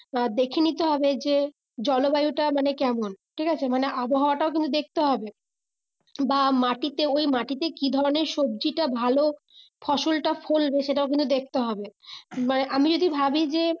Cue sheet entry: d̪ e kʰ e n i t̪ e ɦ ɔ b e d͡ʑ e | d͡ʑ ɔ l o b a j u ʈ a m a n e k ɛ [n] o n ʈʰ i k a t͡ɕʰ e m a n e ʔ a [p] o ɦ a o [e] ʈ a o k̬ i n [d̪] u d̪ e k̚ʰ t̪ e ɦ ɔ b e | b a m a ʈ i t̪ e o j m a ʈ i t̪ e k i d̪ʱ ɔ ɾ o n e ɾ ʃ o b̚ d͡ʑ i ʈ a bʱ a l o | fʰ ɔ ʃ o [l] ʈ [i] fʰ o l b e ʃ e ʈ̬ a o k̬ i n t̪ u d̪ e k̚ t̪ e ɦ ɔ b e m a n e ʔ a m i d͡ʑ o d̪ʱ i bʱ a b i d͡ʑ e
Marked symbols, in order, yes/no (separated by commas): no, no, no, no, yes, no